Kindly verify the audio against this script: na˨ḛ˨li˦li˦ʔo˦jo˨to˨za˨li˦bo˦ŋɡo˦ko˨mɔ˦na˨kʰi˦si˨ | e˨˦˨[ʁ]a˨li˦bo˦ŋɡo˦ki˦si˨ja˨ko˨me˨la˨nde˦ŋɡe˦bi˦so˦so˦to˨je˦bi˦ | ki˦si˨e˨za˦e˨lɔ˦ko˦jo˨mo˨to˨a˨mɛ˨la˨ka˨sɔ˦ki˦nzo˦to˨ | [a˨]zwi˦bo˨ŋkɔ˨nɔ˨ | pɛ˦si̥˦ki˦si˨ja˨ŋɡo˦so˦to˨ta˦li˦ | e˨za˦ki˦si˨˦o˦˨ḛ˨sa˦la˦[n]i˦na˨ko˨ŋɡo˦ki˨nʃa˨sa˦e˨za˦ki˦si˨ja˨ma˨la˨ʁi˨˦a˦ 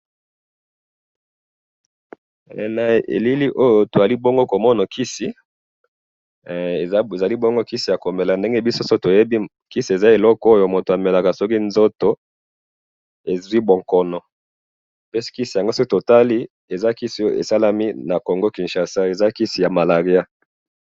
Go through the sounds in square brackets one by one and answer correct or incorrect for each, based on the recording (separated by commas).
incorrect, incorrect, incorrect